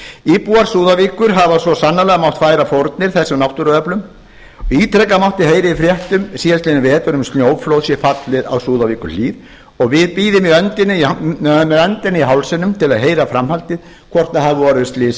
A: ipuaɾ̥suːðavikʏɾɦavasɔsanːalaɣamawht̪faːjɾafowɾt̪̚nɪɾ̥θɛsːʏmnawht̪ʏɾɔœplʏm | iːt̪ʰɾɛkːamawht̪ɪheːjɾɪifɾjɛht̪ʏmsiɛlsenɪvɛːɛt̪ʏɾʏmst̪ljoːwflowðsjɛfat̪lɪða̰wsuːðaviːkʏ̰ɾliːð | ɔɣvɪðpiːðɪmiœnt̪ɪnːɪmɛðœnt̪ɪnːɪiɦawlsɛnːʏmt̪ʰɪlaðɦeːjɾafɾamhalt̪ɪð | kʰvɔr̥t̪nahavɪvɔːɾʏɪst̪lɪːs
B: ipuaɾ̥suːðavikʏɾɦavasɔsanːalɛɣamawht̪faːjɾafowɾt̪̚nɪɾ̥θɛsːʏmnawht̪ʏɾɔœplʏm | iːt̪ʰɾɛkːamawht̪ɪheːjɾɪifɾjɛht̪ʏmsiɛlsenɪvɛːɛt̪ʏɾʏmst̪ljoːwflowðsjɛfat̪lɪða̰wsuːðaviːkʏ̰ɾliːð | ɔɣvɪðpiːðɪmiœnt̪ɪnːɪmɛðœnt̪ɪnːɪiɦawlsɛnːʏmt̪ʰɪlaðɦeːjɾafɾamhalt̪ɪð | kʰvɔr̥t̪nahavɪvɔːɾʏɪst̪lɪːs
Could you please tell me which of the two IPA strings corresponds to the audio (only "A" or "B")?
B